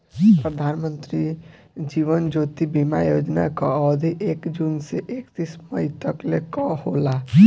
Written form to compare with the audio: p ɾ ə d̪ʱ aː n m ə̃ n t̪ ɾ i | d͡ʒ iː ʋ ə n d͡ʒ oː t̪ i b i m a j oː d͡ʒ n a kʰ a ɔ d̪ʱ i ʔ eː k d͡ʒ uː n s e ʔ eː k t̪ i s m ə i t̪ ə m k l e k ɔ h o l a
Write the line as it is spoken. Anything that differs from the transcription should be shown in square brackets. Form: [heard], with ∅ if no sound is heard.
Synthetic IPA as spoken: p ɾ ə d̪ʱ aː n m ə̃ n t̪ ɾ i | d͡ʒ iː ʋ ə n d͡ʒ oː t̪ i b i m a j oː d͡ʒ n a [k] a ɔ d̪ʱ i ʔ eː k d͡ʒ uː n s e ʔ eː k t̪ i s m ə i t̪ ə [∅] k l e k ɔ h o l a